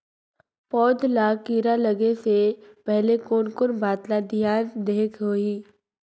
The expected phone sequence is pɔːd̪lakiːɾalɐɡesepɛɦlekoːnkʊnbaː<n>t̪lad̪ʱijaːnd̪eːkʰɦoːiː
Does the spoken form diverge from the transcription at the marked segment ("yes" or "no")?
yes